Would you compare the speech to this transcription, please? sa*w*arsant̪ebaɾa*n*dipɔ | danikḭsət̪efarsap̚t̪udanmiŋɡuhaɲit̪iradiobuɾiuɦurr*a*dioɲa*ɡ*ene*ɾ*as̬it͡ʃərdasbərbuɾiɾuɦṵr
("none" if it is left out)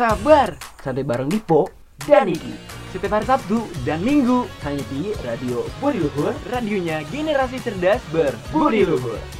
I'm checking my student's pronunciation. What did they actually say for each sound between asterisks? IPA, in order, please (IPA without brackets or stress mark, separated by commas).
b, ŋ, a, ɡ, ɾ